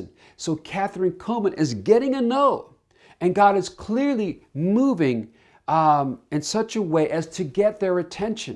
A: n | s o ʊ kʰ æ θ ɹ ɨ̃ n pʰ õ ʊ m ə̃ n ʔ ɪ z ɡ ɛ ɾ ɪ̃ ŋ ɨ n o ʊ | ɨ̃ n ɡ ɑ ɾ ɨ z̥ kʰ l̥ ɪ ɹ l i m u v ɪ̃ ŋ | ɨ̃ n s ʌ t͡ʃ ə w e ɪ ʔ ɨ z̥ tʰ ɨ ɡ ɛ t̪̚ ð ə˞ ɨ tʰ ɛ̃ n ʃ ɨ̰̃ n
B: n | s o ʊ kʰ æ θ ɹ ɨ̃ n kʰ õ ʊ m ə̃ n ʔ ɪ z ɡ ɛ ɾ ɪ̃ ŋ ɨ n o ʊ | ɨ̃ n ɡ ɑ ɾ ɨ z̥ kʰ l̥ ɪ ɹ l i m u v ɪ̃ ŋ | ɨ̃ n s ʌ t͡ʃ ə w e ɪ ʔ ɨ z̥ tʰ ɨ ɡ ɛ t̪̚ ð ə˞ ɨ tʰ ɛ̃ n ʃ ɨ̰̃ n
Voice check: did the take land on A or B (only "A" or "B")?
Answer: B